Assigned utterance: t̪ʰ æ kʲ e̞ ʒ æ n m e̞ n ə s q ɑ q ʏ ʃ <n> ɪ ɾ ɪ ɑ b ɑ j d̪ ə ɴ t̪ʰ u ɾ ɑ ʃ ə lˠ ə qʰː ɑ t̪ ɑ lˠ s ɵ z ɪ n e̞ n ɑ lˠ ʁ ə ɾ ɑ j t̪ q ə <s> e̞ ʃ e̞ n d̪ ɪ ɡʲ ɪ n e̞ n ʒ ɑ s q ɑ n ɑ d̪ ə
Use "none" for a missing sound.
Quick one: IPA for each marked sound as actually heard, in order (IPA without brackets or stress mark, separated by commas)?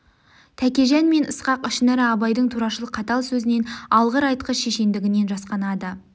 n, ʃ